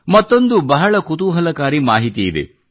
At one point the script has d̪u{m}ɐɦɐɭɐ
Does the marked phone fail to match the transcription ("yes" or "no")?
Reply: yes